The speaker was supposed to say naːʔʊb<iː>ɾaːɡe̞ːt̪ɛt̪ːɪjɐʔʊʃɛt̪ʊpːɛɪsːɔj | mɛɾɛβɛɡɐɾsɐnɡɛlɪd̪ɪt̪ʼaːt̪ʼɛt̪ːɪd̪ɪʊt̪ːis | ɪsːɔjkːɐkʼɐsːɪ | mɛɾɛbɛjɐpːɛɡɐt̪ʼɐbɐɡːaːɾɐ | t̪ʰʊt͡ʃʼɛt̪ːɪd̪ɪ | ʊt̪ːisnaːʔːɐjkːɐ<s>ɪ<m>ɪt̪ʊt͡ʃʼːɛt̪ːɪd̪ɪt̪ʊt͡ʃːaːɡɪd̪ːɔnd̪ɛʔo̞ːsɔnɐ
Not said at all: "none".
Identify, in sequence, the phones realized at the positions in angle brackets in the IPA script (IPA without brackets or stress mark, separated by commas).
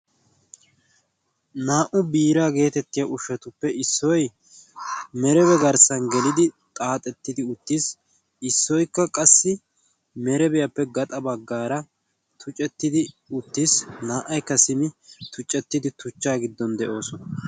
iː, s, m